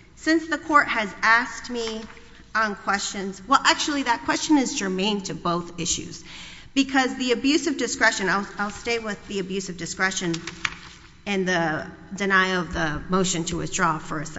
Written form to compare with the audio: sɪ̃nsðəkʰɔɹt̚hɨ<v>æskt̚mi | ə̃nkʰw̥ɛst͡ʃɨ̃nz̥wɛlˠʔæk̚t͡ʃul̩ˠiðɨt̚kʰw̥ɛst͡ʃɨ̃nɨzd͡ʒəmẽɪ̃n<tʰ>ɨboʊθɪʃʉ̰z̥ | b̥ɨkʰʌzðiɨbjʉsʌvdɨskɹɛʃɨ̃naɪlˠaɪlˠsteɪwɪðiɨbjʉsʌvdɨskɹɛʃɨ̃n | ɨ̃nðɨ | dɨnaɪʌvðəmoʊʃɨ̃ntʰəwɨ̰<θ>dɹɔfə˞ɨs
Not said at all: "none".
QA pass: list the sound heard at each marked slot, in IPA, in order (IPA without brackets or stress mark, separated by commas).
z, tʰ, θ